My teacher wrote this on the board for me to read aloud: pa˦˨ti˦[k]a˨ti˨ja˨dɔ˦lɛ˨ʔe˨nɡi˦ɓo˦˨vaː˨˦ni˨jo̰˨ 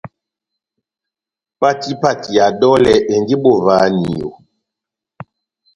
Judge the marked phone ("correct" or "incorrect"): incorrect